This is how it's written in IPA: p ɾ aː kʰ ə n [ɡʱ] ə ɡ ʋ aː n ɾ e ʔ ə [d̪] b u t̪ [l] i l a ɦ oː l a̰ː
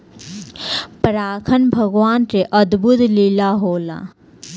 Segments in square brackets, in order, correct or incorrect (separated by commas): incorrect, correct, correct